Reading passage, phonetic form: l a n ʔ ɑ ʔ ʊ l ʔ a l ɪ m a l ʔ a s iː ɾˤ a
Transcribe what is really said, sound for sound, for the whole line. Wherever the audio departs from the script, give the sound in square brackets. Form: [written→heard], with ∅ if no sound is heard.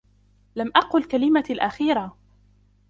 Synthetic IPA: l a [n→m] ʔ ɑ [ʔ→q] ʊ l [ʔ→k] a l ɪ m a l ʔ a [s→x] iː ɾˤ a